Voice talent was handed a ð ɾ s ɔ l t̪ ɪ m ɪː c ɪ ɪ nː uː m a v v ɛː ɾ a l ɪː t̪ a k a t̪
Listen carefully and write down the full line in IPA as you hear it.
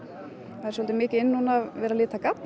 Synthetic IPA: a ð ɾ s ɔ l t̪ ɪ m ɪː c ɪ ɪ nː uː n a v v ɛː ɾ a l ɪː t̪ a k a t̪